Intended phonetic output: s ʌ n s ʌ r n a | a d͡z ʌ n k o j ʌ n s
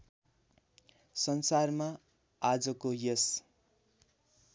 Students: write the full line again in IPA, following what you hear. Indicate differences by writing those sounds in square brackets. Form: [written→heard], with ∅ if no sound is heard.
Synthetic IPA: s ʌ n s [ʌ→a] r [n→m] a | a d͡z ʌ [n→∅] k o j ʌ [n→∅] s